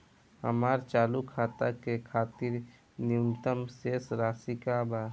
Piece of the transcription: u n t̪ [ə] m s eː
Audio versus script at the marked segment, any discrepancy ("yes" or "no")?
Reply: no